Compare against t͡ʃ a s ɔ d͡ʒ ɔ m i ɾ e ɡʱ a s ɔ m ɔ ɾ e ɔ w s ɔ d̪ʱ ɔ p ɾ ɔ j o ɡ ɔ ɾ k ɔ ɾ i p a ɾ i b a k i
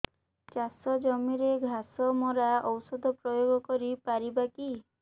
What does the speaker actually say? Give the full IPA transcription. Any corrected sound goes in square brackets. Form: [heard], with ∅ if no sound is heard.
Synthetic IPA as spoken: t͡ʃ a s ɔ d͡ʒ ɔ m i ɾ e ɡʱ a s ɔ m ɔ ɾ [a] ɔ w s ɔ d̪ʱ ɔ p ɾ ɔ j o ɡ ɔ [∅] k ɔ ɾ i p a ɾ i b a k i